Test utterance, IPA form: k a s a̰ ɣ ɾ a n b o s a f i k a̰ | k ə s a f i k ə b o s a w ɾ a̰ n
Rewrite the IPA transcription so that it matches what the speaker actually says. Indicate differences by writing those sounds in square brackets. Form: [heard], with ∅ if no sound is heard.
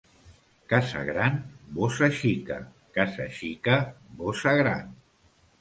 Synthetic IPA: k a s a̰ ɣ ɾ a n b o s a [ʃ] i k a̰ | k [a] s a [ʃ] i k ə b o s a [ɣ] ɾ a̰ n